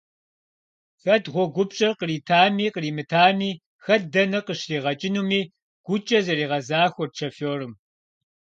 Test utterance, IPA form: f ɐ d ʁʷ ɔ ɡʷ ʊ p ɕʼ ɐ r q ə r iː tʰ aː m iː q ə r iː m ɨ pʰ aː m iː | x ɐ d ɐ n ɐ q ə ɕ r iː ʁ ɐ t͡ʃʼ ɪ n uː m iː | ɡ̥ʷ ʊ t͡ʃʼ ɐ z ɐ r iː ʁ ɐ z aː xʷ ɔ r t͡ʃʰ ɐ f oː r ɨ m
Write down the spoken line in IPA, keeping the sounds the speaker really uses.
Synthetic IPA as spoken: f ɐ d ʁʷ ɔ ɡʷ ʊ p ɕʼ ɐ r q ə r iː tʰ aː m iː q ə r iː m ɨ tʰ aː m iː | x ɐ d ɐ n ɐ q ə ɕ r iː ʁ ɐ t͡ʃʼ ɪ n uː m iː | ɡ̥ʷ ʊ t͡ʃʼ ɐ z ɐ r iː ʁ ɐ z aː xʷ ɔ r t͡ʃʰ ɐ f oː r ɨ m